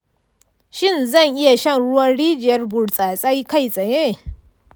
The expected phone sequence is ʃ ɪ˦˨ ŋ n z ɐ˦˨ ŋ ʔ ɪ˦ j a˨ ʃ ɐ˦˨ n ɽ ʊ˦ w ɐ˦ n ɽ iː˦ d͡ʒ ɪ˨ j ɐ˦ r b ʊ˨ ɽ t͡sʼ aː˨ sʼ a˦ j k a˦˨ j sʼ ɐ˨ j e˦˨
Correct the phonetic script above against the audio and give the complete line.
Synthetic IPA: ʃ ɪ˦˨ n z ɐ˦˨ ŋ ʔ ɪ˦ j a˨ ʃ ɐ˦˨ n ɽ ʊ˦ w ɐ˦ n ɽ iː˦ d͡ʒ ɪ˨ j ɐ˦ r b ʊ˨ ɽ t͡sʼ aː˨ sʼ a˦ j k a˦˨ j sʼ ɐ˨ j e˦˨